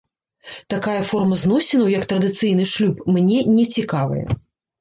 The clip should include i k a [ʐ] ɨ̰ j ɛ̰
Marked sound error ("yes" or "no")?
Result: yes